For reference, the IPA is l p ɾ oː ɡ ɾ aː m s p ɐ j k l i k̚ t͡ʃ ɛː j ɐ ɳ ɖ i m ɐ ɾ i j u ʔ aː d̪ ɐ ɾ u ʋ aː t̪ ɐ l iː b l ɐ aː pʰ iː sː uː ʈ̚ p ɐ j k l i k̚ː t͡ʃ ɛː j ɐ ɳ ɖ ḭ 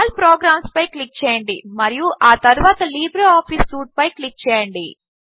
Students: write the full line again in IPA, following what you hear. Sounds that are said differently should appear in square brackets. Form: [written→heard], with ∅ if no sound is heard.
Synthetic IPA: l p ɾ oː ɡ ɾ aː m s p ɐ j k l i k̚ t͡ʃ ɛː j ɐ ɳ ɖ i m ɐ ɾ i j u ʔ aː [d̪→t̪] ɐ ɾ u ʋ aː t̪ ɐ l iː b [l→ɾ] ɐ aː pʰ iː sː uː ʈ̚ p ɐ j k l i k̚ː t͡ʃ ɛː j ɐ ɳ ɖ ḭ